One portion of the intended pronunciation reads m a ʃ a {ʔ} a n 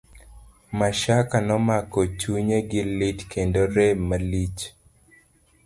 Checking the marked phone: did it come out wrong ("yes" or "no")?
yes